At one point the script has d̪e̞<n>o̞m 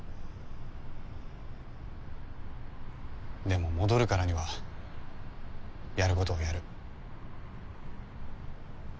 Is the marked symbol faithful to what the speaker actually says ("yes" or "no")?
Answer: no